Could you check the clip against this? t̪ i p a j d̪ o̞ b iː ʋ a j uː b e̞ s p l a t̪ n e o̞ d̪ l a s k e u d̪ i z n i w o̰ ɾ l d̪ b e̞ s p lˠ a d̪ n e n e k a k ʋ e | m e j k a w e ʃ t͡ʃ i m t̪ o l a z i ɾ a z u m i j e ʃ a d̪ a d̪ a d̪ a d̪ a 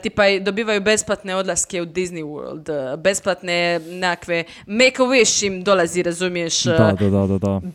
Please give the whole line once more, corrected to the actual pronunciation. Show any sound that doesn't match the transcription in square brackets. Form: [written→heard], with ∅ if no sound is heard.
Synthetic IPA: t̪ i p a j d̪ o̞ b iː ʋ a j [uː→u] b e̞ s p l a t̪ n e o̞ d̪ l a s k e u d̪ i z n i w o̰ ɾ l d̪ b e̞ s p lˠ a [d̪→t̪] n e n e k a k ʋ e | m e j k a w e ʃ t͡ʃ i m [t̪→d̪] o l a z i ɾ a z u m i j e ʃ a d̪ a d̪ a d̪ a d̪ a